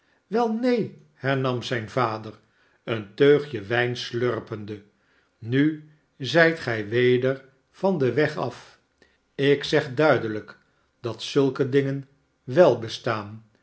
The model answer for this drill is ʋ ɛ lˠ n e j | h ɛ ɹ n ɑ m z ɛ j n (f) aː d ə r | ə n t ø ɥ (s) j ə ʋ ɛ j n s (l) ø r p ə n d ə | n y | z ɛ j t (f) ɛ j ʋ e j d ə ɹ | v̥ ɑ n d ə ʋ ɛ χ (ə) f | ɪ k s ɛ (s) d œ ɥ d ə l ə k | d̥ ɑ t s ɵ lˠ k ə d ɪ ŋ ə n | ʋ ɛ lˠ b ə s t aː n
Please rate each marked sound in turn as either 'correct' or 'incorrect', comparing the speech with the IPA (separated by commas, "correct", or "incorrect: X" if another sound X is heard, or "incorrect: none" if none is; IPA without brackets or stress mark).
incorrect: v, incorrect: χ, correct, incorrect: χ, incorrect: ɑ, incorrect: χ